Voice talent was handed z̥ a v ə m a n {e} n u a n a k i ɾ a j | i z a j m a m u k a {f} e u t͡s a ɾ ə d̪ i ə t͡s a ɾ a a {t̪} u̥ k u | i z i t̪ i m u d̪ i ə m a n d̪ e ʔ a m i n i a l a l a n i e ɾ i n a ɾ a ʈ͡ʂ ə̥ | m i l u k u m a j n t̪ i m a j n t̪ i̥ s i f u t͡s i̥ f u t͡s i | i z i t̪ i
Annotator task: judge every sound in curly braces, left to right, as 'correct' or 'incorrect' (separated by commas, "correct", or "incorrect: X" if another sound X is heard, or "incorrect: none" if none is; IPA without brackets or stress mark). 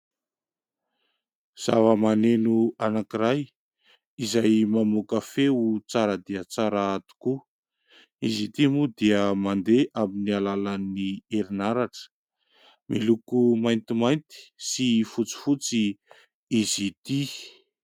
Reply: correct, correct, correct